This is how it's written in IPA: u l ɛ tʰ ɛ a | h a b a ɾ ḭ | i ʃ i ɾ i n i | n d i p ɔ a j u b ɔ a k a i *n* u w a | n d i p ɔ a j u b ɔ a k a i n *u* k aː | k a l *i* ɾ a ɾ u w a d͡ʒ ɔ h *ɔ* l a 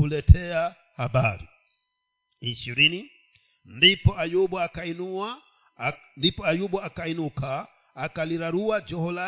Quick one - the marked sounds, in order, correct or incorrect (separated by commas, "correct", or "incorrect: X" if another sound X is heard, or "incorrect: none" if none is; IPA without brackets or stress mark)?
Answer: correct, correct, correct, correct